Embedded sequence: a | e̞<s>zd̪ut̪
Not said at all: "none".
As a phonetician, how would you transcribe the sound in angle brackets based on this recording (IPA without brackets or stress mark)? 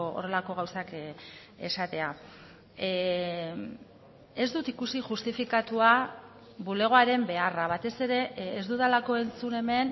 none